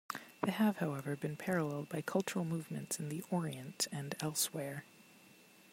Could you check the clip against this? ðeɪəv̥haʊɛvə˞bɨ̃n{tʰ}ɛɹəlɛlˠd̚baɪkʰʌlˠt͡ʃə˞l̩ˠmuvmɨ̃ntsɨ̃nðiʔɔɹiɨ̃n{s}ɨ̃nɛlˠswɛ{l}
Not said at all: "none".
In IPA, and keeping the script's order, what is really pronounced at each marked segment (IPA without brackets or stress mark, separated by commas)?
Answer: pʰ, t, ɹ